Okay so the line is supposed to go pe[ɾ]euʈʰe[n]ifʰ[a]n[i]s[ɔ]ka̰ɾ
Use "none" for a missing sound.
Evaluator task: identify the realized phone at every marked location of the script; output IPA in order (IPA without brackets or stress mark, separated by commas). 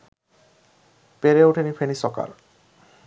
ɾ, n, e, i, ɔ